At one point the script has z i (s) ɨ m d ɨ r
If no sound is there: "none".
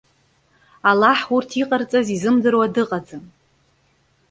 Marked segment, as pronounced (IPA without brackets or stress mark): z